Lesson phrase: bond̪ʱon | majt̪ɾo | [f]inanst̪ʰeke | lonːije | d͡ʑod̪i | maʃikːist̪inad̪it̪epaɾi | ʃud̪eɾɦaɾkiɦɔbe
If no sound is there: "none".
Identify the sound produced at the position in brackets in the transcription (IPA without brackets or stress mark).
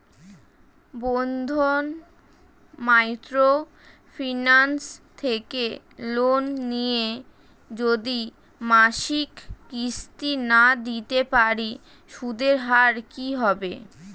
f